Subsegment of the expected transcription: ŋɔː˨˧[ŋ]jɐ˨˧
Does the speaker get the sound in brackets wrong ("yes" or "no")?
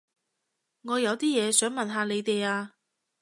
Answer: yes